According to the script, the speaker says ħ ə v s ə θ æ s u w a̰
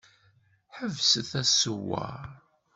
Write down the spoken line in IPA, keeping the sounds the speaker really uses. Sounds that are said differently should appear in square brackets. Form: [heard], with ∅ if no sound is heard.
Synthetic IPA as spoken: ħ ə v s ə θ æ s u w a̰